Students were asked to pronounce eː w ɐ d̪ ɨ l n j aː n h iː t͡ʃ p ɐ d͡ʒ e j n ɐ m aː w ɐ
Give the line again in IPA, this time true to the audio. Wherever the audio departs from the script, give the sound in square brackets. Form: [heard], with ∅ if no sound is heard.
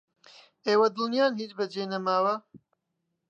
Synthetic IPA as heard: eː w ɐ d̪ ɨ l n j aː n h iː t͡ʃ [b] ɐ d͡ʒ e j n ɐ m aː w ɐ